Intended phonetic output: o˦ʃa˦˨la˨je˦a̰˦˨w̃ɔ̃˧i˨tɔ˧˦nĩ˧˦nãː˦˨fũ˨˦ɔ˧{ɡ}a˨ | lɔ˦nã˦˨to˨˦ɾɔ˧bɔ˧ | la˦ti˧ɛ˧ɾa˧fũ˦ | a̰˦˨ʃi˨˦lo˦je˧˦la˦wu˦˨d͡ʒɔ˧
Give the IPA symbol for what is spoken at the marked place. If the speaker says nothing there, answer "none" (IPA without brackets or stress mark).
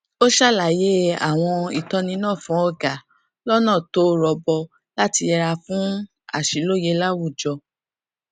ɡ